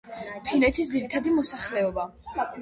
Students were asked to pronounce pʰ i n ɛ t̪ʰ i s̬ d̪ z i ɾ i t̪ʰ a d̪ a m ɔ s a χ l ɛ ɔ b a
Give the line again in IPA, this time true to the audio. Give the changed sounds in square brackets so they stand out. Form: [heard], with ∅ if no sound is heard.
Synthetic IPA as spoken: pʰ i n ɛ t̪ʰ i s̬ d̪ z i ɾ i t̪ʰ a d̪ [i] m ɔ s a χ l ɛ ɔ b a